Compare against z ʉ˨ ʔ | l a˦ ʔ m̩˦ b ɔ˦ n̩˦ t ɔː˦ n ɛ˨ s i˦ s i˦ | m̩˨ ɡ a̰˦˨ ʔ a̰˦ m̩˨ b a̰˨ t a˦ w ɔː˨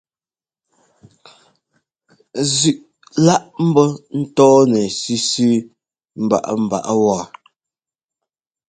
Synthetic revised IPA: z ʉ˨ ʔ | l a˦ ʔ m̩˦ b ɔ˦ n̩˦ t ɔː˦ n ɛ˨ s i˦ s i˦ | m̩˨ b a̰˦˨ ʔ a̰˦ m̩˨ b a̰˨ ʔ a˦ w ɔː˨